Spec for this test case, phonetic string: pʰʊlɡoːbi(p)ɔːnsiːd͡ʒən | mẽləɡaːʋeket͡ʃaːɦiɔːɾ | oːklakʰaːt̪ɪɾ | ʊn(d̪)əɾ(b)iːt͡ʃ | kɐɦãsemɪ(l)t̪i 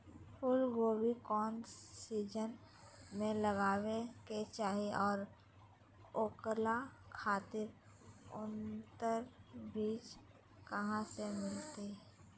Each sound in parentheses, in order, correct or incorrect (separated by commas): incorrect, incorrect, correct, correct